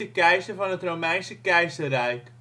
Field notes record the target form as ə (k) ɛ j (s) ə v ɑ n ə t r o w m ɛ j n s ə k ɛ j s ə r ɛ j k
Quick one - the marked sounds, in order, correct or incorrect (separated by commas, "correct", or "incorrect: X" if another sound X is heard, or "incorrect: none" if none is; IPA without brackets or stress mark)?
correct, correct